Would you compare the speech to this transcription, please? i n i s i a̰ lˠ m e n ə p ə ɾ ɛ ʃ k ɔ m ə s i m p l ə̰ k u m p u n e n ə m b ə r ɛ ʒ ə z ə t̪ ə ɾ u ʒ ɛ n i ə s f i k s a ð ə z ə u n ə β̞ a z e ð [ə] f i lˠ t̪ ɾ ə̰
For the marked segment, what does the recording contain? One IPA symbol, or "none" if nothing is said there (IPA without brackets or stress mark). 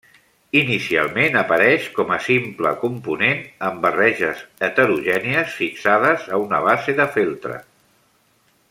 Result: ə